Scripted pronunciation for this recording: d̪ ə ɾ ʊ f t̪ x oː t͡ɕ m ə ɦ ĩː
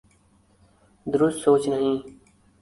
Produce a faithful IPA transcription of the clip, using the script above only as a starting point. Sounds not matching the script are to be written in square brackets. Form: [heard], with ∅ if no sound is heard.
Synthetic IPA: d̪ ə ɾ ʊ [s] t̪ [s] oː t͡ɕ [n] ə ɦ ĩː